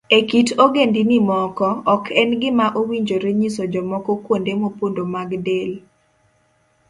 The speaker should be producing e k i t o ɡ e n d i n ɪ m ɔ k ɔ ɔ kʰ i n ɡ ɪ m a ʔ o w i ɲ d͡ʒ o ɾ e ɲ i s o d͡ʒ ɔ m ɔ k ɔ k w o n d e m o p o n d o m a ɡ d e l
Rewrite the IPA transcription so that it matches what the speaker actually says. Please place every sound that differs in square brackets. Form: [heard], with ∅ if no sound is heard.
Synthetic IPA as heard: e k i t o ɡ e n d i n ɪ m ɔ k ɔ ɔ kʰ [ɛ] n ɡ ɪ m a ʔ o w i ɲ d͡ʒ o ɾ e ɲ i s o d͡ʒ ɔ m ɔ k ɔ k w o n d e m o p o n d o m a ɡ d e l